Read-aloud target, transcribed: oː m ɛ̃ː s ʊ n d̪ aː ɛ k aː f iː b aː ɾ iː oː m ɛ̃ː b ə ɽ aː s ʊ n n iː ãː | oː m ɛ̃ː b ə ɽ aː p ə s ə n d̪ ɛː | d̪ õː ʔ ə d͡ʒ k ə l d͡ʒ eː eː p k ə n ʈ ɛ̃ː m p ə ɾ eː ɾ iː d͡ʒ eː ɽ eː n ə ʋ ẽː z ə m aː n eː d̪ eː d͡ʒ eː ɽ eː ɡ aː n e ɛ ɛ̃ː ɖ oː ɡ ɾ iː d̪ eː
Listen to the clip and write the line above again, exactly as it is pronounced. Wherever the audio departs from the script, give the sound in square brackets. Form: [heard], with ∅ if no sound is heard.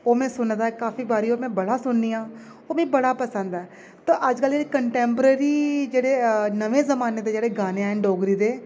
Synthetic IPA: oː m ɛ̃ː s ʊ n d̪ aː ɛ k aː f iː b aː ɾ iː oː m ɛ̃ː b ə ɽ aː s ʊ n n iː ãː | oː m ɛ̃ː b ə ɽ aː p ə s ə n d̪ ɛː | [t̪] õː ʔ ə d͡ʒ k ə l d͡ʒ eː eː [∅] k ə [ɳ] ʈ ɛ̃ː m p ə ɾ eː ɾ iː d͡ʒ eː ɽ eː n ə ʋ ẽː z ə m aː n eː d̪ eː d͡ʒ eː ɽ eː ɡ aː n e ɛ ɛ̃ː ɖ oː ɡ ɾ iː d̪ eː